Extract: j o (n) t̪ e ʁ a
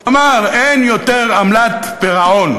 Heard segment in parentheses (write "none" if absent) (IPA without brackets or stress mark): none